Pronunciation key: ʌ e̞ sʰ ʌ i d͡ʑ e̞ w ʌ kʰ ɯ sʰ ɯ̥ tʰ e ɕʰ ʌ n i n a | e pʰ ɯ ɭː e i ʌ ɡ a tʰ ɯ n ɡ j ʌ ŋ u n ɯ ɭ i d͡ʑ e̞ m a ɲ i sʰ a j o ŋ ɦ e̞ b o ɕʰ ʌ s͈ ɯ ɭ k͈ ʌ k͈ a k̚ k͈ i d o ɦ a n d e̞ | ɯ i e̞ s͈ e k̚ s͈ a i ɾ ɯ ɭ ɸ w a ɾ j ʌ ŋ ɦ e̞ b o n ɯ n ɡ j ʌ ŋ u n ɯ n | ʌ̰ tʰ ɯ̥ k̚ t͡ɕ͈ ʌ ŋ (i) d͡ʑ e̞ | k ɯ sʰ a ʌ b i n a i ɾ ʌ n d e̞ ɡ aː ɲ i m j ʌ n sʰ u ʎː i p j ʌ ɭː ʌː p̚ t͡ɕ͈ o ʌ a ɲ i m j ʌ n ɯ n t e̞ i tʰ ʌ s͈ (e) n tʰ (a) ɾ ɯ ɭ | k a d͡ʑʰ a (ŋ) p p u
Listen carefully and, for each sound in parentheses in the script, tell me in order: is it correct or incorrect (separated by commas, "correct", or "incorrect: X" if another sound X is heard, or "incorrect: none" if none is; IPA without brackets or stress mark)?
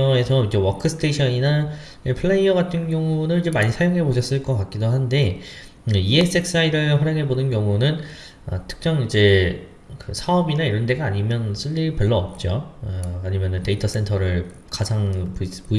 correct, correct, incorrect: ʌ, correct